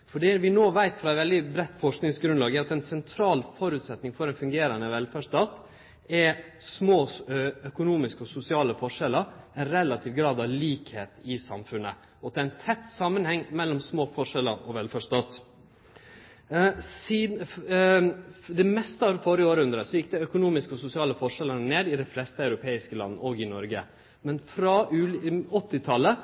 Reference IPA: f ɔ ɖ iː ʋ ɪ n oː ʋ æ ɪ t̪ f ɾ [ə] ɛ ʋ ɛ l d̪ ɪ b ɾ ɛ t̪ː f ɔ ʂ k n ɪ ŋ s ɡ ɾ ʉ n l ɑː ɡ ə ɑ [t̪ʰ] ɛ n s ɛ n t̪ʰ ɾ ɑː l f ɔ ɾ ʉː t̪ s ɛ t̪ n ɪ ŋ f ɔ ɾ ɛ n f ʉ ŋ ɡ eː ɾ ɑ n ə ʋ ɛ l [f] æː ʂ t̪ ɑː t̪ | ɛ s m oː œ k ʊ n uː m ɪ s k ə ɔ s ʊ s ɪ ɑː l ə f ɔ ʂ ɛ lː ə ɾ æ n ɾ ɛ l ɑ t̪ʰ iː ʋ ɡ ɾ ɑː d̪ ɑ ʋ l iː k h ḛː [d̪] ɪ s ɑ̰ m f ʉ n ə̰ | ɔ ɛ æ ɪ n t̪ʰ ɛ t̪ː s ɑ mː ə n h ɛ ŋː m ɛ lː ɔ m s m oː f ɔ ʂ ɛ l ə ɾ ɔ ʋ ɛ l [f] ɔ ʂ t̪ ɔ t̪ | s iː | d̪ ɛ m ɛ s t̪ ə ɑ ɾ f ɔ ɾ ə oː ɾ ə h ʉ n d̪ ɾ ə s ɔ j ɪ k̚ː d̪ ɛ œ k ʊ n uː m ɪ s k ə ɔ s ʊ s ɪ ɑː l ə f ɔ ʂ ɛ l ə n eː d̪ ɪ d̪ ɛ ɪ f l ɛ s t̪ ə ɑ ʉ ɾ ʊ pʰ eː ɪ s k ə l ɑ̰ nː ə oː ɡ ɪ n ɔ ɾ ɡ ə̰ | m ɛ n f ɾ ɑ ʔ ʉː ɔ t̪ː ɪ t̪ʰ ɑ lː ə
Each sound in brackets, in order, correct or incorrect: incorrect: ɑ, incorrect: t̪, correct, incorrect: t̪, correct

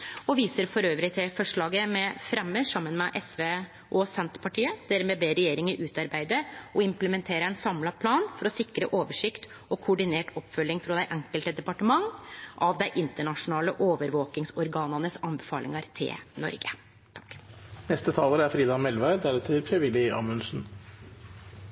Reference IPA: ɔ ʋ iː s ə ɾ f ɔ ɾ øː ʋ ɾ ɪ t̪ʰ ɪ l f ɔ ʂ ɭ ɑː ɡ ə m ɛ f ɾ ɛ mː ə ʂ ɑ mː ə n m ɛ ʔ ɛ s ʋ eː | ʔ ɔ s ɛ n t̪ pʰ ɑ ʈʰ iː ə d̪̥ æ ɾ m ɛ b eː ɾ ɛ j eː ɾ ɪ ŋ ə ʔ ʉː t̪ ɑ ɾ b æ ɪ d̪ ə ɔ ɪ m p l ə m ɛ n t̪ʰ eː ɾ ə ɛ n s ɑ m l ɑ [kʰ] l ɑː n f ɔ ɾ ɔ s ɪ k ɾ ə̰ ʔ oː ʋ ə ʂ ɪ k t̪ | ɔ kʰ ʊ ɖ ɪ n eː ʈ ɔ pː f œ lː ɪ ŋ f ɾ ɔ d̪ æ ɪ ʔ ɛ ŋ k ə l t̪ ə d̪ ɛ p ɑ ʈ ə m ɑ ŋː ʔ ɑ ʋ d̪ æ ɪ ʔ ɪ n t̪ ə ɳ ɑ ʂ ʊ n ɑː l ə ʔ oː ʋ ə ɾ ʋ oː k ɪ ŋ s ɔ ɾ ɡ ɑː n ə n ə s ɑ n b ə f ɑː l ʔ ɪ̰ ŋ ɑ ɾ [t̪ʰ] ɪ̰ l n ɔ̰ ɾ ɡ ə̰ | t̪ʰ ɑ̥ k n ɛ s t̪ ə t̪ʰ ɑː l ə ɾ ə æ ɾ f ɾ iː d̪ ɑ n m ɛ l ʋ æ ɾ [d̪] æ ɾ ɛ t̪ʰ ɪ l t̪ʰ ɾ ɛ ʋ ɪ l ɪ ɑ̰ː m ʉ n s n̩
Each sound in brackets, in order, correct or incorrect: incorrect: pʰ, correct, correct

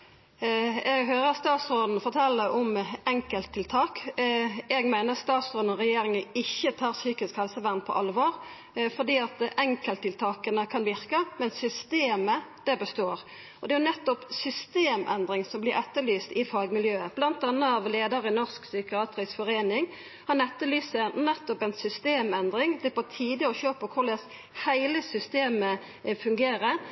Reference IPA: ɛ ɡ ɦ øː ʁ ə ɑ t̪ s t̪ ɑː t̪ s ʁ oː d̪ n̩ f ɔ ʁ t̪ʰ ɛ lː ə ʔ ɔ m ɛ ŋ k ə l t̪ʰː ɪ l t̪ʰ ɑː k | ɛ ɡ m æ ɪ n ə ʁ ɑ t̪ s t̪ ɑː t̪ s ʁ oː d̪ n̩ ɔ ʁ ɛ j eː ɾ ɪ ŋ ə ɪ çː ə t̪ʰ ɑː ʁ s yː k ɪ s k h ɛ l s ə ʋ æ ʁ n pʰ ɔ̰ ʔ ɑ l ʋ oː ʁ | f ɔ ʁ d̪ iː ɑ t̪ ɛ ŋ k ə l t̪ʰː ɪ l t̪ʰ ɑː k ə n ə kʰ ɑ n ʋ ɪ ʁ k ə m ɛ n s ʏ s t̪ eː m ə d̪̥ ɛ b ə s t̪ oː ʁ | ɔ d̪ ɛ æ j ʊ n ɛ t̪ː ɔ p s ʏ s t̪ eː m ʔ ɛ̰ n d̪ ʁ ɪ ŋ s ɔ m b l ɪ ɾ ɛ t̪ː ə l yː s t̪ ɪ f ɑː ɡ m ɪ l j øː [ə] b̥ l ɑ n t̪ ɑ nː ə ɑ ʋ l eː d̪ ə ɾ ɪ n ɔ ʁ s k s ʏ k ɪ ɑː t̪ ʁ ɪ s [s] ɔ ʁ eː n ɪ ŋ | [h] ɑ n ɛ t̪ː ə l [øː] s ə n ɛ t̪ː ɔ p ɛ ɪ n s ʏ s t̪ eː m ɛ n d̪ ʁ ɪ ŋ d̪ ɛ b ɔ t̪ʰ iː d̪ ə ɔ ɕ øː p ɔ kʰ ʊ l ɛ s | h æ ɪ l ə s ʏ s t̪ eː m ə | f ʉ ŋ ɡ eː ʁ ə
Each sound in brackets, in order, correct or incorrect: correct, incorrect: f, correct, incorrect: yː

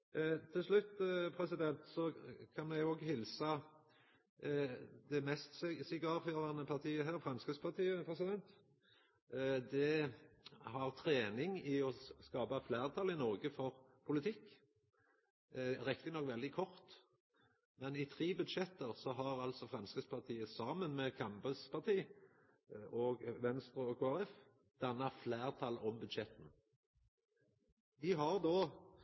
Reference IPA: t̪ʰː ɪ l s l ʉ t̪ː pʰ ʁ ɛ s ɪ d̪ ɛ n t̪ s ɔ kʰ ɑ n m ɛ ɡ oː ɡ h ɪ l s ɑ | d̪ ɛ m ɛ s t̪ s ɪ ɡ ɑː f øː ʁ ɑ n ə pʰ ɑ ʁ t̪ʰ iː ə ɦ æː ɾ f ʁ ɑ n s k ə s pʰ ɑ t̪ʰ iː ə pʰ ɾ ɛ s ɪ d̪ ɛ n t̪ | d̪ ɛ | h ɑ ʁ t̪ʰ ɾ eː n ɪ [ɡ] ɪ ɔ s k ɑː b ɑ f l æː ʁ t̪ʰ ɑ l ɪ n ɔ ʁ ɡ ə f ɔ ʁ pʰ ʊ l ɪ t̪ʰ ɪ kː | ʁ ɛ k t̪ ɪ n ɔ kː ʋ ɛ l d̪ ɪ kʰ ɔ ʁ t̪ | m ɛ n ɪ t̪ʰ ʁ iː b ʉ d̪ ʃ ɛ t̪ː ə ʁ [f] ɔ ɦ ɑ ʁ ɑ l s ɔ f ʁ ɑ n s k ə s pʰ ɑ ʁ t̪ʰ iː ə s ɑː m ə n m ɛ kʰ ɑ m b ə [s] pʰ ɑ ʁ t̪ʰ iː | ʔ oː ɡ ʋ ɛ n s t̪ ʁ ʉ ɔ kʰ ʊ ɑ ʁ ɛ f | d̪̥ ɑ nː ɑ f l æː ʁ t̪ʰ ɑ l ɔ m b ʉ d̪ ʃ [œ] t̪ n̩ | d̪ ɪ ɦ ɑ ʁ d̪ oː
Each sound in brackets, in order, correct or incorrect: incorrect: ŋ, incorrect: s, correct, incorrect: ɛ

